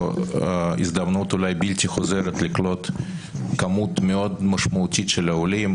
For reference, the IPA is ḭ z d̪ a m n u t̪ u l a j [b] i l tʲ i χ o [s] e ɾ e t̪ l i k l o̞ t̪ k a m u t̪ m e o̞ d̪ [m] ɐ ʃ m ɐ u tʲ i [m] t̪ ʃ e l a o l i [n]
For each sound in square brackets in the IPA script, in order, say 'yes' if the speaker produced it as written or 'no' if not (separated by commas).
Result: yes, no, yes, no, no